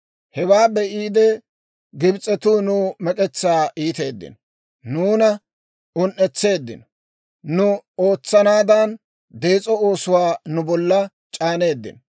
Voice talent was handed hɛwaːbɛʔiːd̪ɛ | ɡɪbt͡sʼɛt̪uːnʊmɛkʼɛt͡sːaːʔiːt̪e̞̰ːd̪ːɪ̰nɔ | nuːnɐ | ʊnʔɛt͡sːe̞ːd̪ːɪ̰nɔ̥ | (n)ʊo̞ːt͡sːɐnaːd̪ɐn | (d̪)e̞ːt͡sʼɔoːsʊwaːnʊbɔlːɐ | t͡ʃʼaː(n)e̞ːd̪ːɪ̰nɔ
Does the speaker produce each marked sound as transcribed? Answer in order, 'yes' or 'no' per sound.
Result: yes, yes, yes

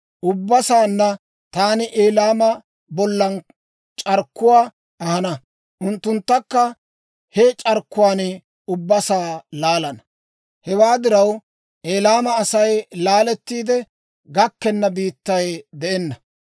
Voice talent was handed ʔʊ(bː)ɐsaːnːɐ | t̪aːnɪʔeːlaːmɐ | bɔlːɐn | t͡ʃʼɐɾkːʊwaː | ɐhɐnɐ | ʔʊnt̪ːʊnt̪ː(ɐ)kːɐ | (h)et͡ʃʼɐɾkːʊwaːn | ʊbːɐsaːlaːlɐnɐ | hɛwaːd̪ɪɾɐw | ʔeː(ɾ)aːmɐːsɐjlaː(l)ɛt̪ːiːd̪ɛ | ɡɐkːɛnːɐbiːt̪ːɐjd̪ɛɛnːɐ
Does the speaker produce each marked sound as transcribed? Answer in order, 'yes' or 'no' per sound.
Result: yes, yes, yes, no, yes

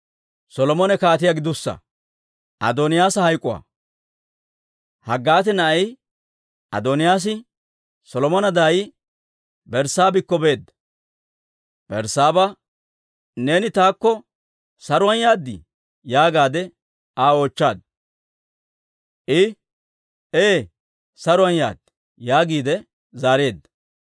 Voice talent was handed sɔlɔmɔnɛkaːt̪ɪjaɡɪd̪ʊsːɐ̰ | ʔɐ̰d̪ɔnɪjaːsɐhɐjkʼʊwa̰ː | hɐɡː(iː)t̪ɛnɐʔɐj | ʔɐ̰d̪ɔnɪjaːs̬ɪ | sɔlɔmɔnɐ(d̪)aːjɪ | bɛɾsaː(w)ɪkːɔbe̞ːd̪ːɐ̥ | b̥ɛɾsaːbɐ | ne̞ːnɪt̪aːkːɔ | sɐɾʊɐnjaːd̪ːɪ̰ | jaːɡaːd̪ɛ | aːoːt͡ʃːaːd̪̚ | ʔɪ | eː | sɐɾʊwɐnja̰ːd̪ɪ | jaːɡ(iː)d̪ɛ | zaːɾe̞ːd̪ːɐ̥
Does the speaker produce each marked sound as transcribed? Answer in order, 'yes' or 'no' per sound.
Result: no, yes, no, yes

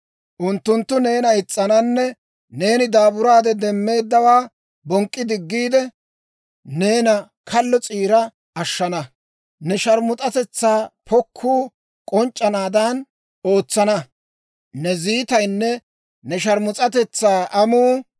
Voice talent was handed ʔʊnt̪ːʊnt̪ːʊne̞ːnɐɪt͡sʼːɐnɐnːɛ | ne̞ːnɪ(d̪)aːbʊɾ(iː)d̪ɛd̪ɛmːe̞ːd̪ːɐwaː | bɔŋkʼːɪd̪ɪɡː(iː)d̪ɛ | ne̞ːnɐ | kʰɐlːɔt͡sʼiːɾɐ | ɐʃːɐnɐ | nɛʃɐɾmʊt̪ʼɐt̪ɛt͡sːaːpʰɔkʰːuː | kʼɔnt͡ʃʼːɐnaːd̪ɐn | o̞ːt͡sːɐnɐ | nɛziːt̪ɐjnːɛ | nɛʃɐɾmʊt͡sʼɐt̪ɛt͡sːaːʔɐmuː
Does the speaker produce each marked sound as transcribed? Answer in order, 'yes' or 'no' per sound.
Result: yes, no, yes

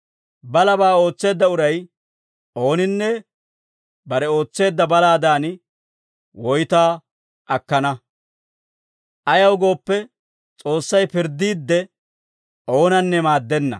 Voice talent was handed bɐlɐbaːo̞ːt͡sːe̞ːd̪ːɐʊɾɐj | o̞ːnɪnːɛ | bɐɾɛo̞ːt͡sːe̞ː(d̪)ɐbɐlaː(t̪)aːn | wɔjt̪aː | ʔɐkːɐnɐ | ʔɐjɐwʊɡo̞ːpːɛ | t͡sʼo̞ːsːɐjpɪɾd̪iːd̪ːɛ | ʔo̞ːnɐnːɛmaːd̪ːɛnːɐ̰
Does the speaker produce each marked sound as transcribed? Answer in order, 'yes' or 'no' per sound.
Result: no, no

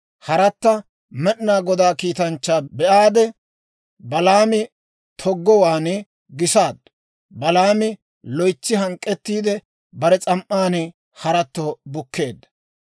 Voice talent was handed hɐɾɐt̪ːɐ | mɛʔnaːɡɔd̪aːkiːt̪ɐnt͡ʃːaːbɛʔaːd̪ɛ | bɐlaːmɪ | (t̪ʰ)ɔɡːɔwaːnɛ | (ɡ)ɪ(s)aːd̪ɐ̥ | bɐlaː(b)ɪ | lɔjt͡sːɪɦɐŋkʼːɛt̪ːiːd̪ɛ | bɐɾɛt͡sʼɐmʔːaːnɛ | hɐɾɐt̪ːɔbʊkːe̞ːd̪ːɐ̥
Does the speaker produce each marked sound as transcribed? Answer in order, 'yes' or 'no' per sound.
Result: yes, yes, yes, no

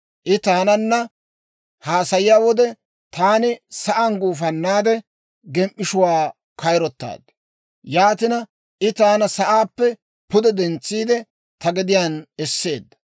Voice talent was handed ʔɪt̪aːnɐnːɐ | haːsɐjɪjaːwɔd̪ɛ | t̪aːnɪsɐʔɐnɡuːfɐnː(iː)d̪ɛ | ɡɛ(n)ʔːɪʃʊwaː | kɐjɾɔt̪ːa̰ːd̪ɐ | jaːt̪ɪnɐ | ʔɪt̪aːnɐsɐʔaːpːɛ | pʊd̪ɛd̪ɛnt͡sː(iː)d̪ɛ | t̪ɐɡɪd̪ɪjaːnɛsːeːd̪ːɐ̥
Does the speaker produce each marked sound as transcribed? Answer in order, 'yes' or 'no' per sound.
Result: no, no, yes

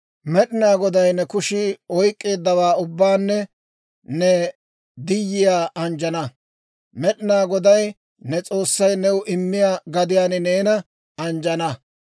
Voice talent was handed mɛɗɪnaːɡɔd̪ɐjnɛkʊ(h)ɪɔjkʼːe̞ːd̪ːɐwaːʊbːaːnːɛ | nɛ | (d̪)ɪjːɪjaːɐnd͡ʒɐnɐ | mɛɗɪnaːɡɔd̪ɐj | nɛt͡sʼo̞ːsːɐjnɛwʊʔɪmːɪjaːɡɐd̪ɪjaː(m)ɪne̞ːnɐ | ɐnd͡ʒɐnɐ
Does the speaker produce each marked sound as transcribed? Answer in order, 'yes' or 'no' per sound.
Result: no, yes, no

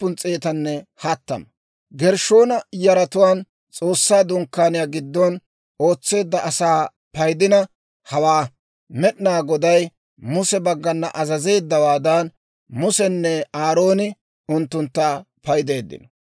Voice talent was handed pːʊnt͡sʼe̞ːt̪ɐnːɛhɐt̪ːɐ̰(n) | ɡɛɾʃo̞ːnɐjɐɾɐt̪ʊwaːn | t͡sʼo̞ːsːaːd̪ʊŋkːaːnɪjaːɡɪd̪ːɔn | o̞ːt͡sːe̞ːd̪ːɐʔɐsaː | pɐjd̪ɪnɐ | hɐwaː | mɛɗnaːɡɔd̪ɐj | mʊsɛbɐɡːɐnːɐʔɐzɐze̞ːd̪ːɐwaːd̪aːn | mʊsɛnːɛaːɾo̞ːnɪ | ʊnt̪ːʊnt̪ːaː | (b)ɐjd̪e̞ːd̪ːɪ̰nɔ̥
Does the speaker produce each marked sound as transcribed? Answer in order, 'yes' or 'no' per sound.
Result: no, no

